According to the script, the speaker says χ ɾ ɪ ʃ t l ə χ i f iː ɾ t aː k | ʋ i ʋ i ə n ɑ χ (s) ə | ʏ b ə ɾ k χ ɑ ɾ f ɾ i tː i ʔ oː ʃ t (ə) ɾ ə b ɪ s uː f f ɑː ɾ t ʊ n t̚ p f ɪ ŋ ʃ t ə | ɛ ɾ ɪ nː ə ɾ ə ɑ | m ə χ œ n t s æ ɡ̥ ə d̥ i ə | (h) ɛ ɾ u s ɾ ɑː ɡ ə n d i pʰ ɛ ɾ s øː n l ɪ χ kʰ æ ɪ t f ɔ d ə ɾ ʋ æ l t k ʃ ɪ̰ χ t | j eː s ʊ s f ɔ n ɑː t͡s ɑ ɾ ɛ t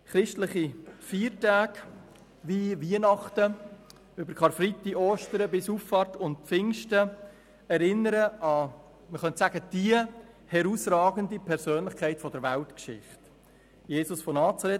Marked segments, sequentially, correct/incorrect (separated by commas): incorrect, correct, correct